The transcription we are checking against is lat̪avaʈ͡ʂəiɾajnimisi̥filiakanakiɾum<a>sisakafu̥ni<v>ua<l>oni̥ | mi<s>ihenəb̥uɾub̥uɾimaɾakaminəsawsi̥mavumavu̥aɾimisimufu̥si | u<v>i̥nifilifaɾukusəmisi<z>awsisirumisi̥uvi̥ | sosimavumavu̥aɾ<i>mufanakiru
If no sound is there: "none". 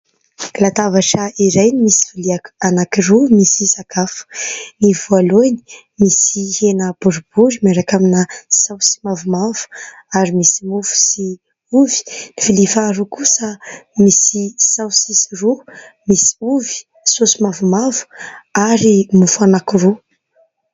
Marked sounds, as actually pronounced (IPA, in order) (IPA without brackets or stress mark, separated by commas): i, v, l, s, v, s, i